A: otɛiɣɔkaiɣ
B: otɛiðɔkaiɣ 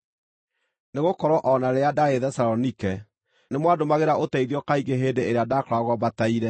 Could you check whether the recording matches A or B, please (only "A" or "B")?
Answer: B